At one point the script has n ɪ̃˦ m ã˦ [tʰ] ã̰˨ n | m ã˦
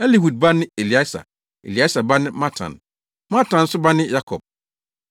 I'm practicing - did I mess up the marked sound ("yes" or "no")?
no